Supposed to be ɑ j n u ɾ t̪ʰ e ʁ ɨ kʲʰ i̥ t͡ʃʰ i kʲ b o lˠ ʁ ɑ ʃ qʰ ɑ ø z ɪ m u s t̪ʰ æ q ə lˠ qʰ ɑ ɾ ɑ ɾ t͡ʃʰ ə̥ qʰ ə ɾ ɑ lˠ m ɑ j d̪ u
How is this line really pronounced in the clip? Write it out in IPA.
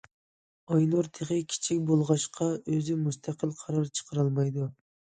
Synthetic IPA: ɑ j n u ɾ t̪ʰ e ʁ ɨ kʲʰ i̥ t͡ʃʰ i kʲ b o lˠ ʁ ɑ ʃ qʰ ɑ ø z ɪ m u s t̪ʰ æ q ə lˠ qʰ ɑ ɾ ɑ ɾ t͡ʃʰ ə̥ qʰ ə ɾ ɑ lˠ m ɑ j d̪ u